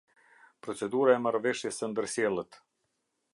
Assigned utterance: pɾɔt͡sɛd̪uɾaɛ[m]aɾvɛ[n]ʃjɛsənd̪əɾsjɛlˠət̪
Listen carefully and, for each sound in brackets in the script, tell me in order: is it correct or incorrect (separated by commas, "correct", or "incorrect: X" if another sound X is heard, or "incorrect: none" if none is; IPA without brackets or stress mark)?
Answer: correct, incorrect: none